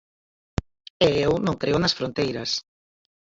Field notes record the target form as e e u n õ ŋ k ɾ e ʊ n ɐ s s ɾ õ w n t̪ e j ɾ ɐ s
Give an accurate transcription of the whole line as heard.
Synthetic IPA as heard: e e w n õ ŋ k ɾ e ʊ n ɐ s f ɾ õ n t̪ e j ɾ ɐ s

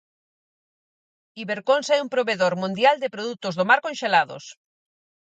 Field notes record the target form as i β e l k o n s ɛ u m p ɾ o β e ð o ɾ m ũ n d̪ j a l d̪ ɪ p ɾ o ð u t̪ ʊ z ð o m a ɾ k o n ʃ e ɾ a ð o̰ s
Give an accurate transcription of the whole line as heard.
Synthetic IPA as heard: i β e ɾ k o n s ɛ u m p ɾ o β e ð o ɾ m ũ n d̪ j a l d̪ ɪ p ɾ o ð u t̪ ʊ z ð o m a ɾ k o n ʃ e l a ð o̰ s

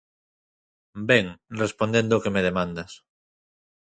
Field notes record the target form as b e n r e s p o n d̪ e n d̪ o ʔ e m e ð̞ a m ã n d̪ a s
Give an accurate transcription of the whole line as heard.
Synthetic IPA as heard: b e ŋ r e s p o n d̪ e n d̪ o k e m e ð̞ e m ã n d̪ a s

